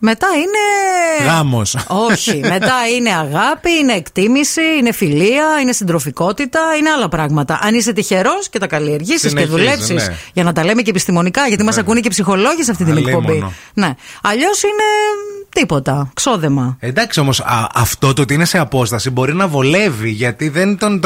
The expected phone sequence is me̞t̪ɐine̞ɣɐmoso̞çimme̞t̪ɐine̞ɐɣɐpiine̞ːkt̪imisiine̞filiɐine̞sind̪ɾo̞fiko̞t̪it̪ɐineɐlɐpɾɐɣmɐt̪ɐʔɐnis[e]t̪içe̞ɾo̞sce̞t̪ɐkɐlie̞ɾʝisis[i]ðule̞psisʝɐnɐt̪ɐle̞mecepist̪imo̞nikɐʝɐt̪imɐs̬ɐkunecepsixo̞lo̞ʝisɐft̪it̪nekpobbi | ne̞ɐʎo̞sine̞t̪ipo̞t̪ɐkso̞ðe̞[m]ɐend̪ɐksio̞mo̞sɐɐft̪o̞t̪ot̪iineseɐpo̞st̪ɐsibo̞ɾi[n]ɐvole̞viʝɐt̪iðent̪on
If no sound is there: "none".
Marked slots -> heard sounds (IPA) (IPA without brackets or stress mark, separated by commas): e, e, m, n